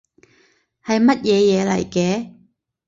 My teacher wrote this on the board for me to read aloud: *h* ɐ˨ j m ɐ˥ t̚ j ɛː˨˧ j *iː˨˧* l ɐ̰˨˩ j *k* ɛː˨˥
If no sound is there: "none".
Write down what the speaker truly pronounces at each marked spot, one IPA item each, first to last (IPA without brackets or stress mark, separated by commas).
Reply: h, ɛː˨˧, k